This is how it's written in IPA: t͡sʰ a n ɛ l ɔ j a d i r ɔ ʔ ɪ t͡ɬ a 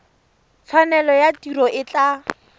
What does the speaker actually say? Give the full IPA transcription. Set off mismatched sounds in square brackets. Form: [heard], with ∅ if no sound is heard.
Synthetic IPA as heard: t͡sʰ a n ɛ l ɔ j a [t] i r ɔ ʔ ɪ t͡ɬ a